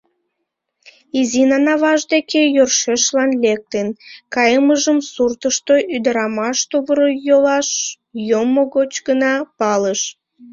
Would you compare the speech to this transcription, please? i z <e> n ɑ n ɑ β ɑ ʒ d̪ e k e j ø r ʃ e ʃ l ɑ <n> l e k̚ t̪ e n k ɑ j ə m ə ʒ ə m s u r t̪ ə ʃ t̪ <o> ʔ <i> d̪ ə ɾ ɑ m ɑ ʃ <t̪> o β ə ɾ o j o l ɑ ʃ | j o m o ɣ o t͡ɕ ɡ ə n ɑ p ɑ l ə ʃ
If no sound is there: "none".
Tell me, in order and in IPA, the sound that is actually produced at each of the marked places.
i, n, o, y, t̪

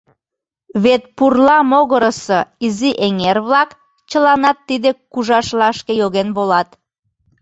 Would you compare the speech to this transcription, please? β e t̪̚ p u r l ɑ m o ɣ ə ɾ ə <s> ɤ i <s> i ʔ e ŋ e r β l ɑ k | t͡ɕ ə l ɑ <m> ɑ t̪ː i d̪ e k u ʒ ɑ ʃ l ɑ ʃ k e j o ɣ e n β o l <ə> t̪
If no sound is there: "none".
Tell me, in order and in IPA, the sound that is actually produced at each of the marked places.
s, z, n, ɑ

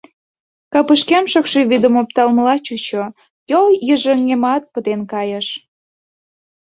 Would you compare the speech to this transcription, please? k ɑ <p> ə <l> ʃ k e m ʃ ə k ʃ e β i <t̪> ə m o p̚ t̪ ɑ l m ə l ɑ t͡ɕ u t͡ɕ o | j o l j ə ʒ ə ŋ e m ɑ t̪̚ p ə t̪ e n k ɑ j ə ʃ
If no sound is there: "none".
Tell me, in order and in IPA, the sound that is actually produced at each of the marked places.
p, none, d̪

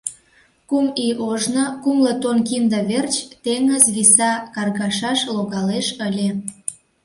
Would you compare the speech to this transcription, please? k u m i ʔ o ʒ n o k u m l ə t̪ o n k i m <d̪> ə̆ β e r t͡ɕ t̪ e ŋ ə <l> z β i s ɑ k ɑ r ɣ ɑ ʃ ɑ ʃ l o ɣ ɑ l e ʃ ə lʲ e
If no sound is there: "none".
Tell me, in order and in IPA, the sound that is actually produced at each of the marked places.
d̪, none

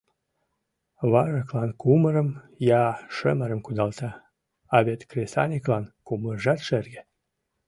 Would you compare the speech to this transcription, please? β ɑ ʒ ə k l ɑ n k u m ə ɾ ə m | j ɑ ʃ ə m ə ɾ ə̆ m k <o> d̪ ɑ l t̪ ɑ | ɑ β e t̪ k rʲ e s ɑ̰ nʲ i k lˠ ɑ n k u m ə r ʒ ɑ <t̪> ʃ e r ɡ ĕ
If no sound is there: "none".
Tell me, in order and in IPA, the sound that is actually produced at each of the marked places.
u, t̪

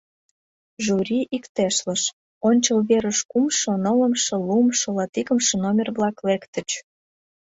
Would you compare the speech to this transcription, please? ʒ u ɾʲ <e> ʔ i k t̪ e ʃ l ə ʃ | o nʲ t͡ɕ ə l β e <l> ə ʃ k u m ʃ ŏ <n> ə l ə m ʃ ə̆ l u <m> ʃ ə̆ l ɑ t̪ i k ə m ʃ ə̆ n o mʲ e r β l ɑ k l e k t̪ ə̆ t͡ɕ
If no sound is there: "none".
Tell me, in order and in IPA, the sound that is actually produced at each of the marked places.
i, ɾ, n, m

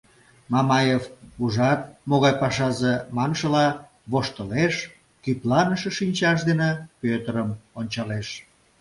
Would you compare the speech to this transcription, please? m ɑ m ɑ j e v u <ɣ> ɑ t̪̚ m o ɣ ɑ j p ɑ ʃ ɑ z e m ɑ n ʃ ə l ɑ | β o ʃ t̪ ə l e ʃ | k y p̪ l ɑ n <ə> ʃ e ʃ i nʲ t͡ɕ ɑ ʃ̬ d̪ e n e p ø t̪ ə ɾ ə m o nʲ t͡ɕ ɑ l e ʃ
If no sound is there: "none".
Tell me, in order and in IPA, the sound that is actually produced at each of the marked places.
ʒ, ə

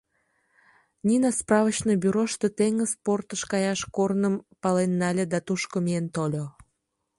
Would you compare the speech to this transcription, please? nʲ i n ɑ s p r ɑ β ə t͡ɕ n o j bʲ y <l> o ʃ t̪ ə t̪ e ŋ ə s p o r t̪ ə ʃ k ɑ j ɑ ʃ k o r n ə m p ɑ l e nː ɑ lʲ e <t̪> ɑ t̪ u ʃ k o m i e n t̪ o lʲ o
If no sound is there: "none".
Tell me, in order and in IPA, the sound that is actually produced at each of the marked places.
ɾ, d̪

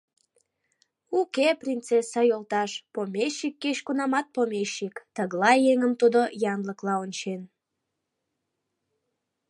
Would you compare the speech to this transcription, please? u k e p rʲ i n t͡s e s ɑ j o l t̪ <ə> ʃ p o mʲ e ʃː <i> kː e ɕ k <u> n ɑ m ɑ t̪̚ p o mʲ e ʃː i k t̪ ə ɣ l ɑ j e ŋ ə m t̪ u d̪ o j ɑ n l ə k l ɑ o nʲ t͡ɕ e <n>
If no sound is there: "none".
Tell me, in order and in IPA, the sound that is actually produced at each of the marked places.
ɑ, i, u, n

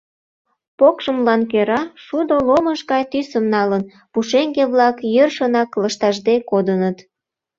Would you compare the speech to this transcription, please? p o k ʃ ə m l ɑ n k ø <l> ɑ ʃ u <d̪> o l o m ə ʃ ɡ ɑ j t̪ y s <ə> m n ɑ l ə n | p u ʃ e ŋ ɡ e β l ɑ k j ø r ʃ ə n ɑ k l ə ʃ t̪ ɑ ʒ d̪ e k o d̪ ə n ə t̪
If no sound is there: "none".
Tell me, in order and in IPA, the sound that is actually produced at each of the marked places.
ɾ, d̪, ə

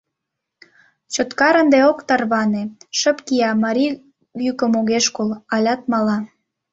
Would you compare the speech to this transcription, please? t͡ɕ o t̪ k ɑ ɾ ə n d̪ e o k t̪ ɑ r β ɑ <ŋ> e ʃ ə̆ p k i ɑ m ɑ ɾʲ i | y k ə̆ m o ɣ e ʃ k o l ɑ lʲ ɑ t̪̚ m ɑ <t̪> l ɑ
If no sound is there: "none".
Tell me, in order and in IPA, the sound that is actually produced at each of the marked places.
n, none

